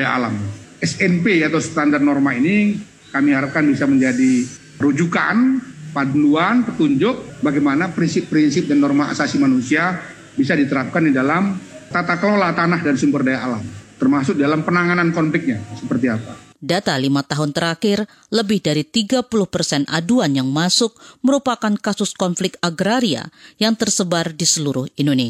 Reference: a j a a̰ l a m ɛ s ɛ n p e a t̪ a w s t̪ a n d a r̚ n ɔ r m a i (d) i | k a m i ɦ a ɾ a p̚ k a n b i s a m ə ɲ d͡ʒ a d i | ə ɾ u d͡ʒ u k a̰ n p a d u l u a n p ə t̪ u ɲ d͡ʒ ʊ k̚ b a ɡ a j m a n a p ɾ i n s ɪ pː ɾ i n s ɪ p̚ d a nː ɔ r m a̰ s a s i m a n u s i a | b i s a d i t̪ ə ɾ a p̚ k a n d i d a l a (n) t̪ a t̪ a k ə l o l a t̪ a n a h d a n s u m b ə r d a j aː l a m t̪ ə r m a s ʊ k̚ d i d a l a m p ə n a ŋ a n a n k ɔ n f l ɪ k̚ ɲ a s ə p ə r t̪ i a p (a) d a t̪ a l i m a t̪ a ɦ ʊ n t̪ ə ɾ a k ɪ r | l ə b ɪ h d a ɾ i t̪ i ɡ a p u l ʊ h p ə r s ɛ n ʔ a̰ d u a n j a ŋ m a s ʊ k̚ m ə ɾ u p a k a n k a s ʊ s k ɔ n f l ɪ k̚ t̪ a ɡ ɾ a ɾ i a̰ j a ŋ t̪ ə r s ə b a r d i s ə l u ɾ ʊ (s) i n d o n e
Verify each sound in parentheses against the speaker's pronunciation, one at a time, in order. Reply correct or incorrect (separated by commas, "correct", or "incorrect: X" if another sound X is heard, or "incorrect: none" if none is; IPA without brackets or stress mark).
incorrect: n, incorrect: m, correct, incorrect: h